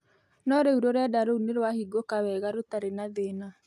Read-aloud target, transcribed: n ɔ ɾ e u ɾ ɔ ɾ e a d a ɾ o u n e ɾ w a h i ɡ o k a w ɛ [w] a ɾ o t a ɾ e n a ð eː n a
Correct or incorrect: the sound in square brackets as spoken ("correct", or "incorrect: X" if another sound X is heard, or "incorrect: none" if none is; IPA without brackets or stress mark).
incorrect: ɣ